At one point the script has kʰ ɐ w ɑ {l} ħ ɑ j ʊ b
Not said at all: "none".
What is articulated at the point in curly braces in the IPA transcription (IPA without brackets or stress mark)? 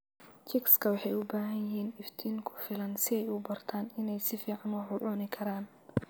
none